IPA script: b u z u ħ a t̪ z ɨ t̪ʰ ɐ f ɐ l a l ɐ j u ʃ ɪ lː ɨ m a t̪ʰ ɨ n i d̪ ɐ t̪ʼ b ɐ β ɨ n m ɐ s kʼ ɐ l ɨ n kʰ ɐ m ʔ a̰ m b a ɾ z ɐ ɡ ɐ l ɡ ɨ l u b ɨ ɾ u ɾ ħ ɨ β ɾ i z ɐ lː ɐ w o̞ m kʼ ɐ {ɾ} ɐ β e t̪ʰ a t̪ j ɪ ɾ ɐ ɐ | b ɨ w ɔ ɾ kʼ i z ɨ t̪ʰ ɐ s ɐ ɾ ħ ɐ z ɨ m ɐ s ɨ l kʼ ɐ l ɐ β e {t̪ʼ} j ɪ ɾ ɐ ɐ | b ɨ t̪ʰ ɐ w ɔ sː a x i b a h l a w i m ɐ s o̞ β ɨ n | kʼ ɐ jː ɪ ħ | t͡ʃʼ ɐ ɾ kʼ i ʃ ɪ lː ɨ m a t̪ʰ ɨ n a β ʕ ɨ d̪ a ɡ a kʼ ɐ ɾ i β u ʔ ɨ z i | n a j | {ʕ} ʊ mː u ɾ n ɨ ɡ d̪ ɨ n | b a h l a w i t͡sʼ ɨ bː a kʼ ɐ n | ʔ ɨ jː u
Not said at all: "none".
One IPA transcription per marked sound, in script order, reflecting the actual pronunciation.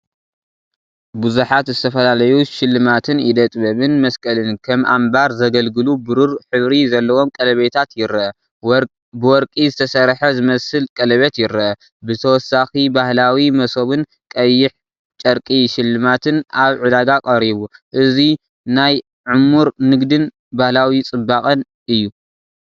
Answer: l, t̪, ʕ

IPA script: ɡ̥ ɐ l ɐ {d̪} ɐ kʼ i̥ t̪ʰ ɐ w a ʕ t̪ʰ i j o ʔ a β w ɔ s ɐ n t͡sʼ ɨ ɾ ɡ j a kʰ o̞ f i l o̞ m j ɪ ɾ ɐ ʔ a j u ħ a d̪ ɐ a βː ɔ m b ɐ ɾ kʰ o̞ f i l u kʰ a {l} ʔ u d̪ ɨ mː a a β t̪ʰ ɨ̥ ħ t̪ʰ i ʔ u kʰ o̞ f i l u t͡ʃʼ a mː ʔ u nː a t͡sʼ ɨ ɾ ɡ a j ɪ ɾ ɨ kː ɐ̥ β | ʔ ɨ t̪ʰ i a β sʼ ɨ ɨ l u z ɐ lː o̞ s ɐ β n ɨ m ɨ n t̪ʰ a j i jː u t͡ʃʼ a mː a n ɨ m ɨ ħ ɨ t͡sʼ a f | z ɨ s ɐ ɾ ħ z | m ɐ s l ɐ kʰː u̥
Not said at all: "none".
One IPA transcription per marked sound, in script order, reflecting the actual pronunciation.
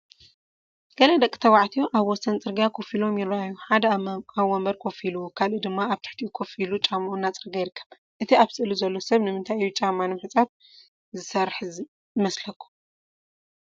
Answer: d̪, l

